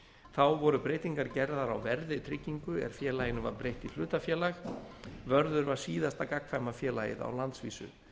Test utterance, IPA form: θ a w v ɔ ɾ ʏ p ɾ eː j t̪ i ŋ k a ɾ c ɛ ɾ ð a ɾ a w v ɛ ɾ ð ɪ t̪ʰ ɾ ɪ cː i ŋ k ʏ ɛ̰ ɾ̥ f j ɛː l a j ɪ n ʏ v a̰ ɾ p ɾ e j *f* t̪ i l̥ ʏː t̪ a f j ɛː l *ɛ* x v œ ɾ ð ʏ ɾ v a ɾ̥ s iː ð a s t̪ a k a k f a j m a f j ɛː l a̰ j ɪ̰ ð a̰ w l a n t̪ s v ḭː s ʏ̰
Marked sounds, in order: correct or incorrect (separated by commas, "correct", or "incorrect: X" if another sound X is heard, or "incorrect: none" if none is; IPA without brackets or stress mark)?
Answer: incorrect: h, incorrect: a